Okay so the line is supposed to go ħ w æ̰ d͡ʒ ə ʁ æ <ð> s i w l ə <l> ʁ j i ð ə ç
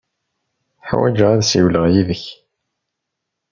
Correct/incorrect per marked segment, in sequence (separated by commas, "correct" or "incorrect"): correct, incorrect